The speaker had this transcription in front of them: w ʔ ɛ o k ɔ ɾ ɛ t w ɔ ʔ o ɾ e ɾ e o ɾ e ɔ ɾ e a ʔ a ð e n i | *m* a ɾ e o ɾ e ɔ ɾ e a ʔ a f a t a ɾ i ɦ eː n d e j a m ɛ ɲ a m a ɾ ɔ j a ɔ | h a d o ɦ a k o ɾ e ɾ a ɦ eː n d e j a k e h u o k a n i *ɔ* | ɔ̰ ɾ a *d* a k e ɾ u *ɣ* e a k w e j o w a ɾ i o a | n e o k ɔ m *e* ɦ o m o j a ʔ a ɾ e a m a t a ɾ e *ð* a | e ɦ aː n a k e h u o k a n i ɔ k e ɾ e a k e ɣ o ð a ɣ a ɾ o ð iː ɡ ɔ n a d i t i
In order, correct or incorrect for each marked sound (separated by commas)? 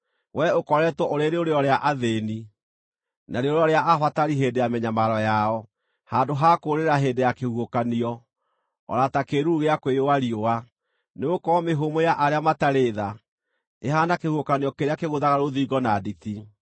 incorrect, correct, incorrect, correct, correct, correct